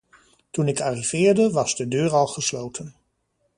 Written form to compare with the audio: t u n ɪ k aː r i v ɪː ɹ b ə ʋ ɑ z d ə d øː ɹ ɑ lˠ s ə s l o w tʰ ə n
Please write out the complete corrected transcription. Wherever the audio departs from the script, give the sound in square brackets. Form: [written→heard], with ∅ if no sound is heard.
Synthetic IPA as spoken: t u n ɪ k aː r i v ɪː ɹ [b→d] ə ʋ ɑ z d ə d øː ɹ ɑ lˠ [s→χ] ə s l o w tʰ ə n